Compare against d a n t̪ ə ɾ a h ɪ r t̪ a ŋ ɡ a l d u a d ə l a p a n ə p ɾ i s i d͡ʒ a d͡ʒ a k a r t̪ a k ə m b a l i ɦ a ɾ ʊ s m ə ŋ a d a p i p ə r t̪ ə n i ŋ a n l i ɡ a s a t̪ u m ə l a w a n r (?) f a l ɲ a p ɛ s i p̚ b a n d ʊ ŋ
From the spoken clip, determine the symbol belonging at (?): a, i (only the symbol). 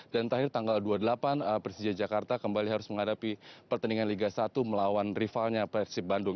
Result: i